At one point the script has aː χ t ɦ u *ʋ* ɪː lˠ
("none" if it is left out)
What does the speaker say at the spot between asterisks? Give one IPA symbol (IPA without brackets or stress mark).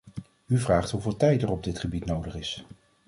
v